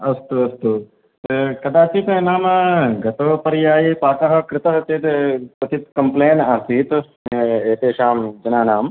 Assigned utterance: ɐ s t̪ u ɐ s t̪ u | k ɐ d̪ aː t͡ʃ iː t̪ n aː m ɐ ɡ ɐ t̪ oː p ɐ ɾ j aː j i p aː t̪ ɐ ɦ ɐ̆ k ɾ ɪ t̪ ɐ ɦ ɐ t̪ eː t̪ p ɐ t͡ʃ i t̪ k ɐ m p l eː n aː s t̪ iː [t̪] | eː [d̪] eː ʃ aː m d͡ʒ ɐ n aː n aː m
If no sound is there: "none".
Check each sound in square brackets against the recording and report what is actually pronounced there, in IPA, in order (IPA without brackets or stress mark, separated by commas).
t̪, t̪